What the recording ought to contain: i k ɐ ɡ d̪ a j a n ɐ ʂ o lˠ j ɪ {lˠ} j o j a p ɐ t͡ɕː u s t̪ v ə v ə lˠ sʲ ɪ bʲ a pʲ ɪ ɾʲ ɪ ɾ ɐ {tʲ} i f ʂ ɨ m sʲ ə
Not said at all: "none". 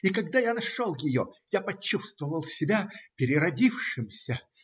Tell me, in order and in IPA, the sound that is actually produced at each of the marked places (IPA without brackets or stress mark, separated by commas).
none, dʲ